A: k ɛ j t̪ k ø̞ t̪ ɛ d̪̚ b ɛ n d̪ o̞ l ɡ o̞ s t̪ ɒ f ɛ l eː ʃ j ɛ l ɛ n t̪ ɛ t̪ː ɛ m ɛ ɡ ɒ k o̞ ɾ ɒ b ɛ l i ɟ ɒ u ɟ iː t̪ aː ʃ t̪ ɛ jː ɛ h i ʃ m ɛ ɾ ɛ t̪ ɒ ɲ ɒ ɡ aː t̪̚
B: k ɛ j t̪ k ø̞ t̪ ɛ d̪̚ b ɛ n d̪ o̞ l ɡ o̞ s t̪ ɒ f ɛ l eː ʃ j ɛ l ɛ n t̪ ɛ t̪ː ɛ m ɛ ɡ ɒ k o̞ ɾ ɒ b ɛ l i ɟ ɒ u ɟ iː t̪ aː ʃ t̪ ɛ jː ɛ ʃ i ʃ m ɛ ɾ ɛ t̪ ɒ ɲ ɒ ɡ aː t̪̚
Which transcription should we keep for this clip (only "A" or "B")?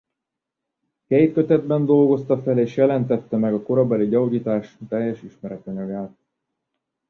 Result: B